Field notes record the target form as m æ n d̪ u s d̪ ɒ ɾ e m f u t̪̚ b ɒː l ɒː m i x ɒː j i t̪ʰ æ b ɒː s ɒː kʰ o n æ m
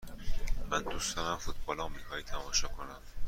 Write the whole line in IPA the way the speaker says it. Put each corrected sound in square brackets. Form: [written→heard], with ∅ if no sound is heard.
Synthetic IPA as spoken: m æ n d̪ u s d̪ ɒ ɾ [e→æ] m f u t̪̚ b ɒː l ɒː m i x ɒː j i t̪ʰ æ [b→m] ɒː [s→ʃ] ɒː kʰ o n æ m